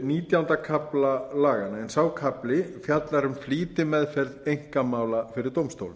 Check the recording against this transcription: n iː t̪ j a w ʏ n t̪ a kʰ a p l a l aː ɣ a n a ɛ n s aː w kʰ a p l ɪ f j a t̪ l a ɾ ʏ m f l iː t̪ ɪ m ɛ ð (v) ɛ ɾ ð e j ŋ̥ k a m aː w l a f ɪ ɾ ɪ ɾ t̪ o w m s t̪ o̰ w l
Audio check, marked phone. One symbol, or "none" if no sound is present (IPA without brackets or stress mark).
f